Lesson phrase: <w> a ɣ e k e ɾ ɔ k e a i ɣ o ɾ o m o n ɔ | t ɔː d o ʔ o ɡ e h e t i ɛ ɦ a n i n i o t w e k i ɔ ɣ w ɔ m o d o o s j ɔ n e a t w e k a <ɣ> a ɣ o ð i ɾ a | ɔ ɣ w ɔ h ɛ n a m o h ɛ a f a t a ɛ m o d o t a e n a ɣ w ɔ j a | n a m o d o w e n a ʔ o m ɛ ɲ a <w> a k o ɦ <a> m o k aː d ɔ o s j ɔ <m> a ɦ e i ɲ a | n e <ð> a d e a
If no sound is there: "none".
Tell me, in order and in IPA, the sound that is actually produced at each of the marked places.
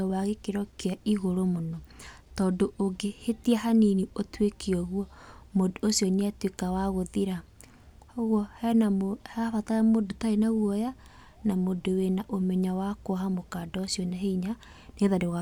w, w, w, a, n, ð

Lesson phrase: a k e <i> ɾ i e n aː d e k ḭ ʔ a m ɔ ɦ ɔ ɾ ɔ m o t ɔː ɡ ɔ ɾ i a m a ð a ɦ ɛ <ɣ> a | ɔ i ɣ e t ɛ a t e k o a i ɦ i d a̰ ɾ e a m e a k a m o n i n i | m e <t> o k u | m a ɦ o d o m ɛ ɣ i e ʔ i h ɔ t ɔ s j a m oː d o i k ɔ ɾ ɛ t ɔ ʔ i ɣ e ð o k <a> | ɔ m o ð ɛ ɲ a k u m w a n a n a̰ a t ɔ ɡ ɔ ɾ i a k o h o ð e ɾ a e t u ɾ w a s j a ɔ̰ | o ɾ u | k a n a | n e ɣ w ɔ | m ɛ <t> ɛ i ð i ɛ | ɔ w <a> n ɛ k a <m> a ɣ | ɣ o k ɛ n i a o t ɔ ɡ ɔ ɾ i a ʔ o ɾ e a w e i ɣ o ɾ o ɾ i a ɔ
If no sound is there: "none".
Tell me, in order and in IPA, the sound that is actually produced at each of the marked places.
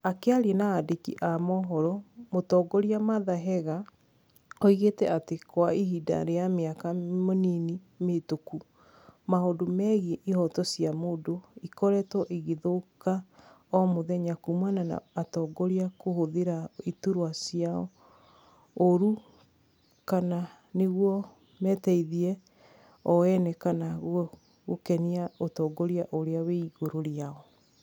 a, ɣ, t, a, t, ɛ, n

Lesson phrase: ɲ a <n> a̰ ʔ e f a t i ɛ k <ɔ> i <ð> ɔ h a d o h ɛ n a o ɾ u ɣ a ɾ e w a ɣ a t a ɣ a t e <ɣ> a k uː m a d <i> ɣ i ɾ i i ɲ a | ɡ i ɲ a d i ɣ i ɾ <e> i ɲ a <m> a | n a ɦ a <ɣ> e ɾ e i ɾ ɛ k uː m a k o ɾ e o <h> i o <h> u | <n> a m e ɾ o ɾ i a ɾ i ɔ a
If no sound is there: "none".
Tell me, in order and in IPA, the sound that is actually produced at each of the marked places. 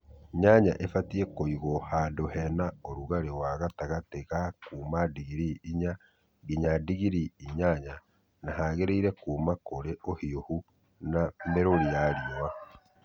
ɲ, o, ɣ, ɣ, i, i, ɲ, ɣ, h, h, n

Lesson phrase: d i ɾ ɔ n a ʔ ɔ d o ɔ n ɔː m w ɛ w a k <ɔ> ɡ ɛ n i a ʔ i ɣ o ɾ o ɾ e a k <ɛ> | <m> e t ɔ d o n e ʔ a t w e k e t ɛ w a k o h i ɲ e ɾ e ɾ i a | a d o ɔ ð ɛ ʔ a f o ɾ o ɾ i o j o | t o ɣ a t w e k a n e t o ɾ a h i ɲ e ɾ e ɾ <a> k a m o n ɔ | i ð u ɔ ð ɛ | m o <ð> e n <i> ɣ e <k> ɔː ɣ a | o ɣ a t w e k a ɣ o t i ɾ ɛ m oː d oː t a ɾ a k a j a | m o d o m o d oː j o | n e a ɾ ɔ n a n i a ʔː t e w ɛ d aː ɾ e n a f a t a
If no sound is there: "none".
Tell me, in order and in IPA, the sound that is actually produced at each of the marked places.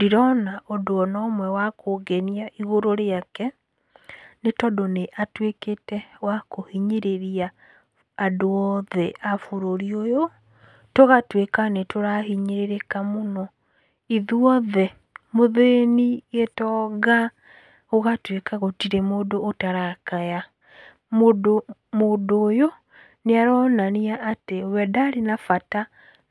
o, ɛ, n, e, ð, i, t

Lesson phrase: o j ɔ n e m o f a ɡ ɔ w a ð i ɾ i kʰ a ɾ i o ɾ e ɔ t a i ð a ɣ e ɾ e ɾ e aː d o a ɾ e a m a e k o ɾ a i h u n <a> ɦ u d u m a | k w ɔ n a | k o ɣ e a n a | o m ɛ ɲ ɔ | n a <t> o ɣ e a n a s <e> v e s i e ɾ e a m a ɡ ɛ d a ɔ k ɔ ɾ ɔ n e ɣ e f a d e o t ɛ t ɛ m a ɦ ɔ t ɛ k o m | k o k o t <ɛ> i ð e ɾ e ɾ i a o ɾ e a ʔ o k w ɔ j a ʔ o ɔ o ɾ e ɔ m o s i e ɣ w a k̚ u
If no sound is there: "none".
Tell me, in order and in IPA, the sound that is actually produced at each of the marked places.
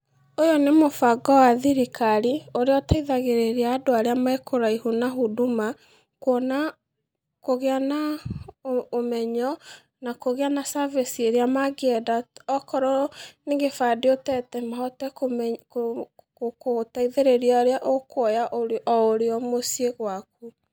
a, k, a, a

